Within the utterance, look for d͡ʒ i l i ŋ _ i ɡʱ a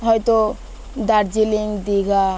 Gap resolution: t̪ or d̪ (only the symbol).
d̪